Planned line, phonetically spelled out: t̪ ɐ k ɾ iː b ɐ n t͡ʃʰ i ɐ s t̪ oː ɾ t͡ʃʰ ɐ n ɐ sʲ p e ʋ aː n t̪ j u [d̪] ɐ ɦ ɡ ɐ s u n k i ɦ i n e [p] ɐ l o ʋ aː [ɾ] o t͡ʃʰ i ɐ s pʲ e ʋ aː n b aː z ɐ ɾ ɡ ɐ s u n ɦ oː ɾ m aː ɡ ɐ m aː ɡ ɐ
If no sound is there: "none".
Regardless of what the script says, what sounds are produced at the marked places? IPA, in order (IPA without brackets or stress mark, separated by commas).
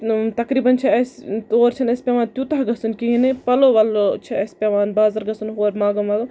t̪, p, l